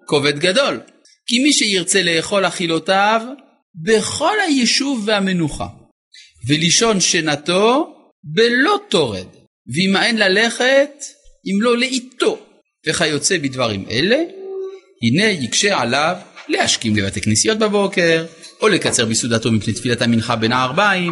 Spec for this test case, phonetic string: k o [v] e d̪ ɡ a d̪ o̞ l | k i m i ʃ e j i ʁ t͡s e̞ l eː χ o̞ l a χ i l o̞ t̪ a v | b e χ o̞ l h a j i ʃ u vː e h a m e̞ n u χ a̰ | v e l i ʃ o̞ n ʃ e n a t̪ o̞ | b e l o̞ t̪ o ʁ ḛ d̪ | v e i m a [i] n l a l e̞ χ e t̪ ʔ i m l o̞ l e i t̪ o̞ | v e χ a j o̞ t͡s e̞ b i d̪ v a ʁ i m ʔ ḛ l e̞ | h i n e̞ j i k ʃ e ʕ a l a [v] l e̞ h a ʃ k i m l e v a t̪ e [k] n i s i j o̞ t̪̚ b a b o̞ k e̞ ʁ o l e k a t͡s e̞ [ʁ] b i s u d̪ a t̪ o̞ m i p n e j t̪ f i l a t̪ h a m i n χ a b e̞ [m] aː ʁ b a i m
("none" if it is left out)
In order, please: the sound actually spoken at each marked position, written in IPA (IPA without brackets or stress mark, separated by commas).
v, e, v, k, ʁ, n